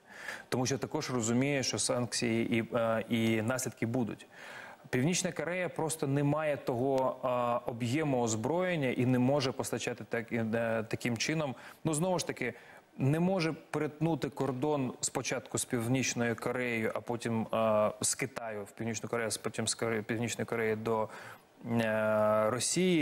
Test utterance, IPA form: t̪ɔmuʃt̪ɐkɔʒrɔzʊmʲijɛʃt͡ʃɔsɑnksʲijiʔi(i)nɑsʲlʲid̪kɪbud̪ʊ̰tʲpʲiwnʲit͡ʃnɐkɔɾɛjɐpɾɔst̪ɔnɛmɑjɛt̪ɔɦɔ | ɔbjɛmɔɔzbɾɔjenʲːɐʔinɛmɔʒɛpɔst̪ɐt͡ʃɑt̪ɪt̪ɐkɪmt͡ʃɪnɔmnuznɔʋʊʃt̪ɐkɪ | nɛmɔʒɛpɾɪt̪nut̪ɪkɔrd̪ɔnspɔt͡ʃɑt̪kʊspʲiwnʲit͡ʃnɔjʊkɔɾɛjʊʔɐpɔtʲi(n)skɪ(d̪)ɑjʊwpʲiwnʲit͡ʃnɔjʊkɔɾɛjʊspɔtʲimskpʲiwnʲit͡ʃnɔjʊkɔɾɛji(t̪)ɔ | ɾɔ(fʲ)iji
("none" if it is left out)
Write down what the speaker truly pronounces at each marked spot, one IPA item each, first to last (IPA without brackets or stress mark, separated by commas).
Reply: i, m, t̪, d̪, sʲ